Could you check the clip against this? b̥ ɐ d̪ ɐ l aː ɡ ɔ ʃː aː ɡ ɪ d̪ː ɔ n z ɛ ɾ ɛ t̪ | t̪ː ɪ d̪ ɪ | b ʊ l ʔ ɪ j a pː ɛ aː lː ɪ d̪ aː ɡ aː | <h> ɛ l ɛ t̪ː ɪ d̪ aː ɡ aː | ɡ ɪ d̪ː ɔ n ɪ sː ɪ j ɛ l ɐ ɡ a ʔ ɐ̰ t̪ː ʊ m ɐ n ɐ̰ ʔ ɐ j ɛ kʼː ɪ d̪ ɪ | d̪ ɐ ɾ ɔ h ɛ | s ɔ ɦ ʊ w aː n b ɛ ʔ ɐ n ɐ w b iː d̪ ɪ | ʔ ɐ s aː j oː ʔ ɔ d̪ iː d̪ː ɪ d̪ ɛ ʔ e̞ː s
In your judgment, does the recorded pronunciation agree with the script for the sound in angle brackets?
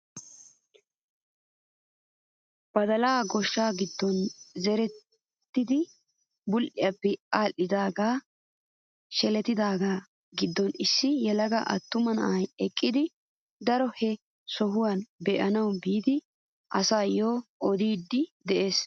no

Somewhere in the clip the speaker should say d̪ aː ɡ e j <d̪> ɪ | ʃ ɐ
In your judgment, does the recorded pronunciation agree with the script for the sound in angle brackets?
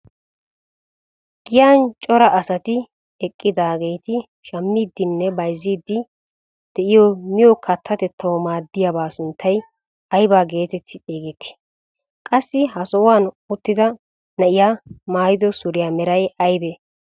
no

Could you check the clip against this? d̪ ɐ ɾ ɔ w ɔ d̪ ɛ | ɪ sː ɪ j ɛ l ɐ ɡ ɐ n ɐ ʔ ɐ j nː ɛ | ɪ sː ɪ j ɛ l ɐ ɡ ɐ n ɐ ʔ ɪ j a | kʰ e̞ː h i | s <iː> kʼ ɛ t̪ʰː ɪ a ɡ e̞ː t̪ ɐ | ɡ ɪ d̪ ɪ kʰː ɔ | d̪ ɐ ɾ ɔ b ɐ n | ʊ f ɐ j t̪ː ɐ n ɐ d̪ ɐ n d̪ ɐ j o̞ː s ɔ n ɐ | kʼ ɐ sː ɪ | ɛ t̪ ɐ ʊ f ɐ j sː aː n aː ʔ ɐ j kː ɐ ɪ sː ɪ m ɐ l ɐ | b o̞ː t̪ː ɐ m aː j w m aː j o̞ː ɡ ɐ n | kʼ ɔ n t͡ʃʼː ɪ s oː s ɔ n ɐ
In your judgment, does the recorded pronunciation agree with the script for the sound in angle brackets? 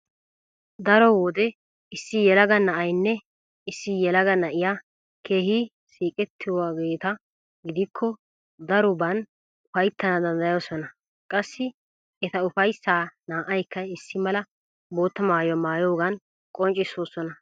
yes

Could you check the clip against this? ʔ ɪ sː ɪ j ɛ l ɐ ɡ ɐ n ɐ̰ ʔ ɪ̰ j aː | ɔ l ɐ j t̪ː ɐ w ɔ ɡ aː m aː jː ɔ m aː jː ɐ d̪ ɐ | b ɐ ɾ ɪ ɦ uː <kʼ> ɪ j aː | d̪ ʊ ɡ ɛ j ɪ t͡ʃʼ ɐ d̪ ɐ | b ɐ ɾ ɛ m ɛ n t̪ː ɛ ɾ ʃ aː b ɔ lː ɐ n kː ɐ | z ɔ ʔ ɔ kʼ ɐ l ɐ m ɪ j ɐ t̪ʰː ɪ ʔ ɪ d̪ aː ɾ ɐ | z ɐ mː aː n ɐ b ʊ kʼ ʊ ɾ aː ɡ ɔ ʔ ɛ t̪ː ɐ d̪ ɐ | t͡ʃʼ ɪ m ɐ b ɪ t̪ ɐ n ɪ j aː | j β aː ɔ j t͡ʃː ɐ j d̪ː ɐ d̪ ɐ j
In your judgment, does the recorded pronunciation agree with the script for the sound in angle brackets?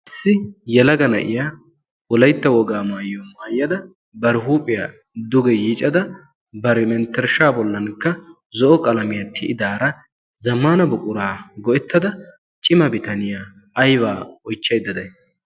no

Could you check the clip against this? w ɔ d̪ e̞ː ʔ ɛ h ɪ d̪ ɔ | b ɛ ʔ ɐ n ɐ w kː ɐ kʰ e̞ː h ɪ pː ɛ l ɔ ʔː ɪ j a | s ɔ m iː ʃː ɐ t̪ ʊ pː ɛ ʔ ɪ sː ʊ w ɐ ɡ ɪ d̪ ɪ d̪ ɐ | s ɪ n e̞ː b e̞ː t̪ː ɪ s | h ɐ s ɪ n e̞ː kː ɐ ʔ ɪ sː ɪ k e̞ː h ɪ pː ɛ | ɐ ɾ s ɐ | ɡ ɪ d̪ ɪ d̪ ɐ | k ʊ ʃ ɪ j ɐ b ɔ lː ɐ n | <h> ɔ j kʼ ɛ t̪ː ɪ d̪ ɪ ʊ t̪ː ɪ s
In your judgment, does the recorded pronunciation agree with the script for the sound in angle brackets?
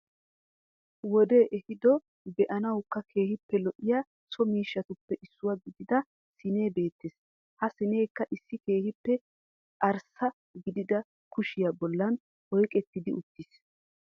yes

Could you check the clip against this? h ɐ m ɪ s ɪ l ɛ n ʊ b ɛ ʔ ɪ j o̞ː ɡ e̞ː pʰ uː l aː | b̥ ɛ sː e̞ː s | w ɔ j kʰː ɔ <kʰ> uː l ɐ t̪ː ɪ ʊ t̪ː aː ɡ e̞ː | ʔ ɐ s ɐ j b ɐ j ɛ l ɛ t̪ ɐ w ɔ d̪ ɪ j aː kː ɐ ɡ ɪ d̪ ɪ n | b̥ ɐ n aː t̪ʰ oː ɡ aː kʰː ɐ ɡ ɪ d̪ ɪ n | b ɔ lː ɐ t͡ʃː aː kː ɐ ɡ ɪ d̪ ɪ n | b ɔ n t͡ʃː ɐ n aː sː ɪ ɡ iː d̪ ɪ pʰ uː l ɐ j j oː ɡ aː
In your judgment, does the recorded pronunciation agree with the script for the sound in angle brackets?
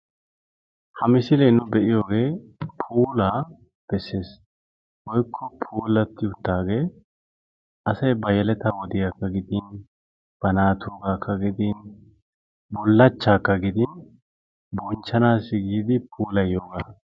no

